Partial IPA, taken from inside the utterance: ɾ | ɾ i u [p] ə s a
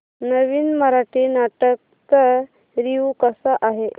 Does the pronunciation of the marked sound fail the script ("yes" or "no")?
yes